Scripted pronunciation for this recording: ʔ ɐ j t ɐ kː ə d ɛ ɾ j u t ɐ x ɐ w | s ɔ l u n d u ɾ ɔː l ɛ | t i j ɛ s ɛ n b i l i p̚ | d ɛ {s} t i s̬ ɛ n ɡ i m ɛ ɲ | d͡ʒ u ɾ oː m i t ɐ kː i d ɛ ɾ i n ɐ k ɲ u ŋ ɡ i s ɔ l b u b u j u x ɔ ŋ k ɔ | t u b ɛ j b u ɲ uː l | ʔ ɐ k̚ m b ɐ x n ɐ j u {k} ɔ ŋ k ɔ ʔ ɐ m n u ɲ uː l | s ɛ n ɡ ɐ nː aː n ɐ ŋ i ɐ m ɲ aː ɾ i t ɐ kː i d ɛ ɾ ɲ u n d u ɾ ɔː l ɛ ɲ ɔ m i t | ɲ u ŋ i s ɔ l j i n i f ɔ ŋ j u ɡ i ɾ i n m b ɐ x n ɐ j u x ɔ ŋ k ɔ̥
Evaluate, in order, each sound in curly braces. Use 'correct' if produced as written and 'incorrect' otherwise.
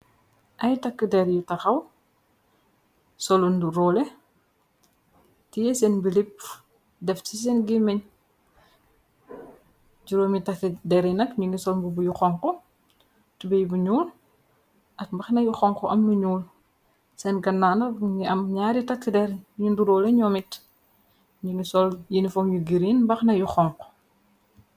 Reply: incorrect: f, incorrect: x

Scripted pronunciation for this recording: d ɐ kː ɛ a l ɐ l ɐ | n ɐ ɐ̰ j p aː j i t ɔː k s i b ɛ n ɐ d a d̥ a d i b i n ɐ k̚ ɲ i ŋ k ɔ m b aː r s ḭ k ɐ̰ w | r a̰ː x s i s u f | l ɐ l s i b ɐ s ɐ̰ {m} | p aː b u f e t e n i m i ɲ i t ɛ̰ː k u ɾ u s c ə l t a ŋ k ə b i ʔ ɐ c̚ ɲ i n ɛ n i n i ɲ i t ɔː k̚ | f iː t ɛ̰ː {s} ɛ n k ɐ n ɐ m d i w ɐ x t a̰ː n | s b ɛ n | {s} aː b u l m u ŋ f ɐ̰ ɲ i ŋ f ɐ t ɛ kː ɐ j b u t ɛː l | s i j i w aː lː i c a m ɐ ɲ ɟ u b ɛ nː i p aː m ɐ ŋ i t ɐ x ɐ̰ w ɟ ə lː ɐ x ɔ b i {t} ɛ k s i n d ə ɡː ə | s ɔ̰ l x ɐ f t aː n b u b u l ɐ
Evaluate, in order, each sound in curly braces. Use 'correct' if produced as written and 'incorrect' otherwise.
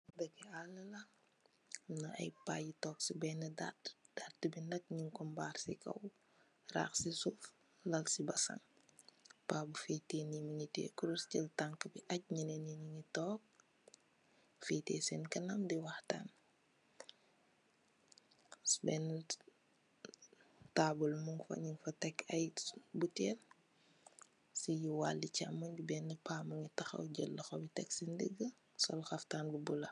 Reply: incorrect: ŋ, correct, incorrect: t, correct

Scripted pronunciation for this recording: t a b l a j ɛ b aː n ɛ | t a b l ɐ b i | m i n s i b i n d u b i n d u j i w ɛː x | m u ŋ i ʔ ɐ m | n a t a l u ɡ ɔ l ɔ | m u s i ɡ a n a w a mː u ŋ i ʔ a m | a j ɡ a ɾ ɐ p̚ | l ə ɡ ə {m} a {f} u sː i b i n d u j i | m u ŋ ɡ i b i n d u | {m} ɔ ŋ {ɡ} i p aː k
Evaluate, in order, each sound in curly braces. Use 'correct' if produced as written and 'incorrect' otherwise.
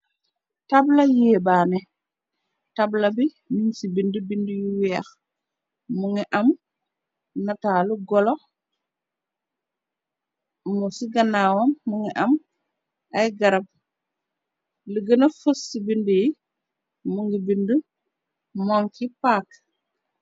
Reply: incorrect: n, correct, correct, incorrect: k

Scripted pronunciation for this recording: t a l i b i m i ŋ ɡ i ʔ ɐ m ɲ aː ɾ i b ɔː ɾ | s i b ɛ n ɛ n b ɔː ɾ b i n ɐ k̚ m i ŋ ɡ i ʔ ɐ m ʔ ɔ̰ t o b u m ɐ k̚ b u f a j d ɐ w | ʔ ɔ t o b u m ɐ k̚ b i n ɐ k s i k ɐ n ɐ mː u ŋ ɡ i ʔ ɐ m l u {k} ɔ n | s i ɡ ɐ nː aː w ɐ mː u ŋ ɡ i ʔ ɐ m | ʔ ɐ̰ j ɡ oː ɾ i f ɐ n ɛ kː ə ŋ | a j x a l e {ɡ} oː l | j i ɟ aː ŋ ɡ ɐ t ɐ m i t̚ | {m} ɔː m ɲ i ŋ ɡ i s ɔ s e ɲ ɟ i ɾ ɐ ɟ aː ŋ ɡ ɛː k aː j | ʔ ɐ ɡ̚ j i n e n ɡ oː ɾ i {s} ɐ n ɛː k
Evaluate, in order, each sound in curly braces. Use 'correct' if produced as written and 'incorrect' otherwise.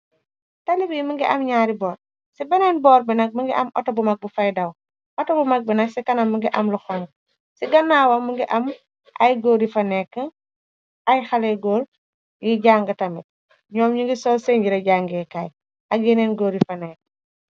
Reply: incorrect: x, correct, incorrect: ɲ, incorrect: f

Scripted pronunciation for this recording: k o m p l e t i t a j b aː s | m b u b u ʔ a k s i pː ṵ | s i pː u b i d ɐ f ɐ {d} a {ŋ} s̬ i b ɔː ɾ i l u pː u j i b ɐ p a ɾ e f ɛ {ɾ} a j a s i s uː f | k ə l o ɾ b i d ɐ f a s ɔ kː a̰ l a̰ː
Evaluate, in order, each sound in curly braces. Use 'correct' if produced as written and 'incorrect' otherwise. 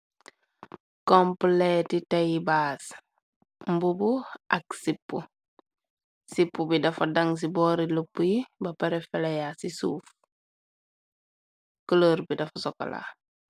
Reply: correct, correct, incorrect: l

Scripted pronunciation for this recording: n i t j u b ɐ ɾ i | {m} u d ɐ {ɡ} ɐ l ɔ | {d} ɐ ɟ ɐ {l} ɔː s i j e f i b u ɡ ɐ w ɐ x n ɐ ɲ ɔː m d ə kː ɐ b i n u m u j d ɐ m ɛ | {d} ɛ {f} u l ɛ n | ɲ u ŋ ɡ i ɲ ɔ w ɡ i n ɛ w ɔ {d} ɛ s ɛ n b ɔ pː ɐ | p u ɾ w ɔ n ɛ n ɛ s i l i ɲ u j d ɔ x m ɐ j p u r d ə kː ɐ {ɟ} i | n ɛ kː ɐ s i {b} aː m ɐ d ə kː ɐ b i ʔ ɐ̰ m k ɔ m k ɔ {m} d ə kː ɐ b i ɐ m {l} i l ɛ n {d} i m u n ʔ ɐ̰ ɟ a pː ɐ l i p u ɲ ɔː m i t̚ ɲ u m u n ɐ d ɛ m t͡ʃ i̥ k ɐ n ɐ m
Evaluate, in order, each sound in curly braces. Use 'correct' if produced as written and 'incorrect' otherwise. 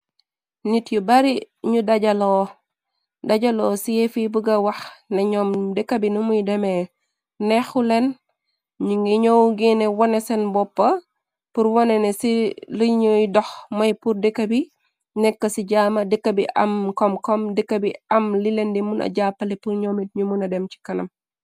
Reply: incorrect: ɲ, incorrect: ɟ, correct, correct, incorrect: n, incorrect: x, incorrect: n, incorrect: b, incorrect: ɟ, correct, correct, correct

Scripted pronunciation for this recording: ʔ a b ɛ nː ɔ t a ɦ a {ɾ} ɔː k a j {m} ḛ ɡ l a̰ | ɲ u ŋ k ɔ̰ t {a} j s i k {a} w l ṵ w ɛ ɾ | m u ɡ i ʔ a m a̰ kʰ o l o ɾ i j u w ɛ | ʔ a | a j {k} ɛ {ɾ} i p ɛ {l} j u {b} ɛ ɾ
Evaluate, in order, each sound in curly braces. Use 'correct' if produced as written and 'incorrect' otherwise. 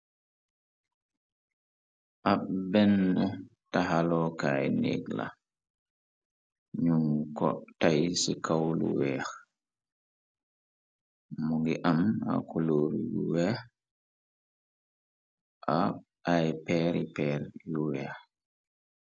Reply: incorrect: l, incorrect: n, correct, correct, incorrect: p, correct, incorrect: ɾ, incorrect: w

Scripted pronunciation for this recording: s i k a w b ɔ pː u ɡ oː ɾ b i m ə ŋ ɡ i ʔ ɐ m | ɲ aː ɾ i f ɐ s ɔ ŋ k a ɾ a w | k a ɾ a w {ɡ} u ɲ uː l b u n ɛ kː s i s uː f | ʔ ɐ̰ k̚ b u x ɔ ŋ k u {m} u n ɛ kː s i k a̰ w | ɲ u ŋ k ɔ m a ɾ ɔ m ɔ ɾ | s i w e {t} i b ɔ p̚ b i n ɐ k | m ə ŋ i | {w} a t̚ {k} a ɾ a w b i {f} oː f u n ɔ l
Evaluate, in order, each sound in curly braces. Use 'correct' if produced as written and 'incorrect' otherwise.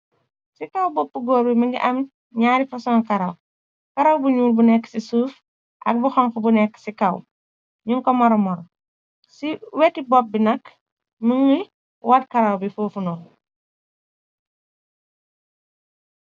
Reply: incorrect: b, incorrect: b, correct, correct, correct, correct

